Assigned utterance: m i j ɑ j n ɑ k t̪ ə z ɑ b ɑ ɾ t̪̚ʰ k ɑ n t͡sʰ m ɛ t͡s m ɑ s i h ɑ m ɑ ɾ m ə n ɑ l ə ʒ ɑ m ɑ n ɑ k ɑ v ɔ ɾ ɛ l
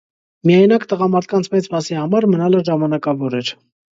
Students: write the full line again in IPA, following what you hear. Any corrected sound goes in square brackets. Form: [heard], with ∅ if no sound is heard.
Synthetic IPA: m i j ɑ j n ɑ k t̪ ə [ʁ] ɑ [m] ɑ ɾ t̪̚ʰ k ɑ n t͡sʰ m ɛ t͡s m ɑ s i h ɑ m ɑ ɾ m ə n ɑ l ə ʒ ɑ m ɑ n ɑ k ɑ v ɔ ɾ ɛ [ɾ]